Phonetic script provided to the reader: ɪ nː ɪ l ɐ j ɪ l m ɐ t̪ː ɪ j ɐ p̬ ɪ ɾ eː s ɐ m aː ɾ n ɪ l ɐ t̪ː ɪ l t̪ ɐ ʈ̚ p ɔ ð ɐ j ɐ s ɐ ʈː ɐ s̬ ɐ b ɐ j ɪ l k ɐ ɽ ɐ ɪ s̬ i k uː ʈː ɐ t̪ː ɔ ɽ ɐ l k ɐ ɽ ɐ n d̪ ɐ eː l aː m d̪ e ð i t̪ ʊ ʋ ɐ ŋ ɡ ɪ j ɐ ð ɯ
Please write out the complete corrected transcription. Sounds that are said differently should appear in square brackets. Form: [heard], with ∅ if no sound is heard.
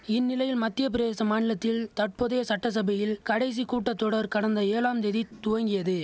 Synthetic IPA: ɪ nː ɪ l ɐ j ɪ l m ɐ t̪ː ɪ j ɐ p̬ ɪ ɾ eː s ɐ m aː [∅] n ɪ l ɐ t̪ː ɪ l t̪ ɐ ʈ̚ p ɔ ð ɐ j ɐ s ɐ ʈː ɐ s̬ ɐ b ɐ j ɪ l k ɐ ɽ ɐ ɪ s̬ i k uː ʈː ɐ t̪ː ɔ ɽ ɐ [ɾ] k ɐ ɽ ɐ n d̪ ɐ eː l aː m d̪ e ð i t̪ ʊ ʋ ɐ ŋ ɡ ɪ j ɐ ð ɯ